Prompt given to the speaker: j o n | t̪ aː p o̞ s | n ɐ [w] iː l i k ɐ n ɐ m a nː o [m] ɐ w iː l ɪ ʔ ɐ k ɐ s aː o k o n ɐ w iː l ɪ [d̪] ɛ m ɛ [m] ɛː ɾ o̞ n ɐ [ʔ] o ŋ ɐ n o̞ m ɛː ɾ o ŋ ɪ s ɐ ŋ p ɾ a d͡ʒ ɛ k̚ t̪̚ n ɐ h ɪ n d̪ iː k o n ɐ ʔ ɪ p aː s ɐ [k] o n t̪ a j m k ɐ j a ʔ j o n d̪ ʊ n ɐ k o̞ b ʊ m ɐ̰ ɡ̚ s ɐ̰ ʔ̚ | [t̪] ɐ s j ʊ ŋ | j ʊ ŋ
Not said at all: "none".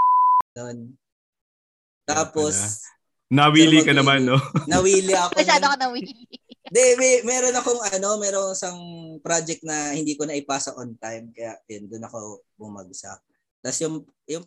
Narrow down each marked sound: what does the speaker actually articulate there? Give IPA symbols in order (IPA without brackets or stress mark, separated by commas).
w, n, d̪, m, k, ʔ, t̪